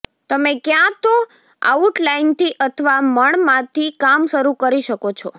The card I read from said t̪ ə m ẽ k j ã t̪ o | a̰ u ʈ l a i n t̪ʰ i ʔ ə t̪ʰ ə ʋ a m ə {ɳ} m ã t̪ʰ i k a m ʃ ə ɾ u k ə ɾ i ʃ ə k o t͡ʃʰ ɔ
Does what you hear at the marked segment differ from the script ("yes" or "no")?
no